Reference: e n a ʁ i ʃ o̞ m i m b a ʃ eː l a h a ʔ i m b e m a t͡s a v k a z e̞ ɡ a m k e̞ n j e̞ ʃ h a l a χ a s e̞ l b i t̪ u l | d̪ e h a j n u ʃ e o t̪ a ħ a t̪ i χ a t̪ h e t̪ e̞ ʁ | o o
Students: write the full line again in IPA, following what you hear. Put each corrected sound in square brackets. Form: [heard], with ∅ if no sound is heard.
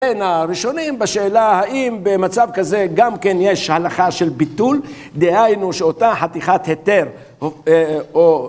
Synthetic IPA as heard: e n a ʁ i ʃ o̞ [n] i m b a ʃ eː l a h a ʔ i m b e m a t͡s a v k a z e̞ ɡ a m k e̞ n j e̞ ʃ h a l a χ a [ʃ] e̞ l b i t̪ u l | d̪ e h a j n u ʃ e o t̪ a ħ a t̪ i χ a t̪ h e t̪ e̞ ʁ | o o